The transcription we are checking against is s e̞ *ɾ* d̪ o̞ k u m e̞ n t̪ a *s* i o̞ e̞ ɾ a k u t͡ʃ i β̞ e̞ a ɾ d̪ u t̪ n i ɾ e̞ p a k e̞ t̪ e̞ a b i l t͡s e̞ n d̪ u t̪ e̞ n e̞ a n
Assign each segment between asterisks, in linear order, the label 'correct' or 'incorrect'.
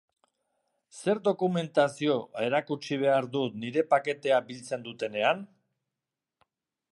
correct, correct

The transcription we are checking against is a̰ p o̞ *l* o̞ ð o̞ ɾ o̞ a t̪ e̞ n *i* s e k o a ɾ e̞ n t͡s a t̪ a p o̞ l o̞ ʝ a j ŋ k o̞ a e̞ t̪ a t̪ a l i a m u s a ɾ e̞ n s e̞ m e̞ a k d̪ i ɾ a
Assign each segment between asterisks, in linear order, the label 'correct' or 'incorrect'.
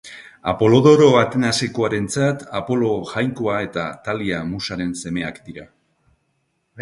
correct, incorrect: a

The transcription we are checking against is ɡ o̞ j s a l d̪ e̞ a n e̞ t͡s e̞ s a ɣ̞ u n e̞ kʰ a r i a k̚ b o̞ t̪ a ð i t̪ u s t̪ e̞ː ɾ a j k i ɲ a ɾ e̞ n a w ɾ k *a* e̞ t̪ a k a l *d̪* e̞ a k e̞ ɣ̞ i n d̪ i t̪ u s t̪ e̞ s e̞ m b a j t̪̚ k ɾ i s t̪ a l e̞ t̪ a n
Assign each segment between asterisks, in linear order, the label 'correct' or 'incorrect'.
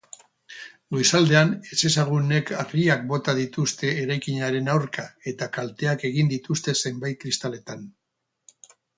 correct, incorrect: t̪

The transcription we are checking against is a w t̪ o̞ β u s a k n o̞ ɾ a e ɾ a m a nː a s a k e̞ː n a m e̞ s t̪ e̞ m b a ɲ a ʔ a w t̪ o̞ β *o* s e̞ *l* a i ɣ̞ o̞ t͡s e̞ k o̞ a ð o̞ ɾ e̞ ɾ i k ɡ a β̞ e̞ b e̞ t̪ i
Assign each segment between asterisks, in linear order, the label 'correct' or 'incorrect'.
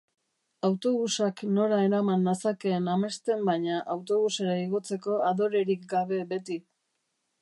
incorrect: u, incorrect: ɾ

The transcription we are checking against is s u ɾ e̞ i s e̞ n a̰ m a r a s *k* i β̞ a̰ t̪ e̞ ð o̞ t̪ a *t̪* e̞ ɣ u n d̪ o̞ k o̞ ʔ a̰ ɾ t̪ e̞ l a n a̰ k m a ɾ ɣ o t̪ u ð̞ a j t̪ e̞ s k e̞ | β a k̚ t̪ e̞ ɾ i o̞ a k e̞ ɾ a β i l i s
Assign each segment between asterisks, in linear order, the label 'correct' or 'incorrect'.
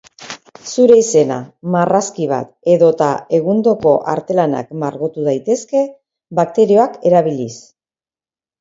correct, incorrect: none

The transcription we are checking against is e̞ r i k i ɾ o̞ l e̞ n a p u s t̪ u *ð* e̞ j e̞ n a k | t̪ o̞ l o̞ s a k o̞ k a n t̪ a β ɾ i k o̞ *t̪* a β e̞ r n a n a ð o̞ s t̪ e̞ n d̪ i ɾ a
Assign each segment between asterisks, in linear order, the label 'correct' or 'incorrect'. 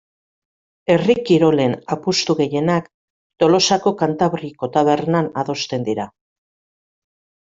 incorrect: ɣ, correct

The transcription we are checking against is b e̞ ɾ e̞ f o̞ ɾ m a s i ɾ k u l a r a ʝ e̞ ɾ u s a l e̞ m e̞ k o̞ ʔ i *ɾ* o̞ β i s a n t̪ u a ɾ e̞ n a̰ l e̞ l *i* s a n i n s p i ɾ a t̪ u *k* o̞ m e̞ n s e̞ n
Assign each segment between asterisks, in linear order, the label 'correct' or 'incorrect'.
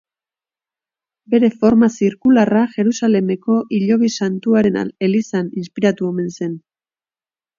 incorrect: ʎ, correct, incorrect: none

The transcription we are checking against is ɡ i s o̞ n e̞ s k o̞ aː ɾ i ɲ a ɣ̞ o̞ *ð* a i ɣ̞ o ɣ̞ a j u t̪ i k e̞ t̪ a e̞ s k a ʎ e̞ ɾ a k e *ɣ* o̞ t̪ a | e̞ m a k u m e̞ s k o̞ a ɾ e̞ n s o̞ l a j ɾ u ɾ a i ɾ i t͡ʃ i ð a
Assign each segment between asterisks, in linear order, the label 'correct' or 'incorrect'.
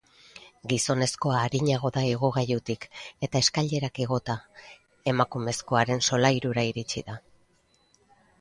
correct, correct

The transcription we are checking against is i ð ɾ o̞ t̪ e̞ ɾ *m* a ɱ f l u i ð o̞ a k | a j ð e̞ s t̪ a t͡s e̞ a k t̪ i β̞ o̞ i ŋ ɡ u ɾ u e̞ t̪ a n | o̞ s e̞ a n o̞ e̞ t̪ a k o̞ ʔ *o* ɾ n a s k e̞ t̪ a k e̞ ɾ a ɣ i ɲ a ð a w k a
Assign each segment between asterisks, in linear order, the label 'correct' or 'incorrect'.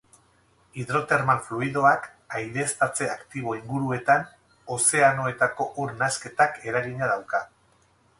correct, incorrect: u

